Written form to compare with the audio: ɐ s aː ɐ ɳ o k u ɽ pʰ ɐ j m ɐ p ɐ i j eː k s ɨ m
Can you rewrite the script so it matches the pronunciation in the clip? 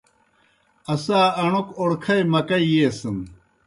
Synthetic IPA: ɐ s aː ɐ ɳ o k o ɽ kʰ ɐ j m ɐ k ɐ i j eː s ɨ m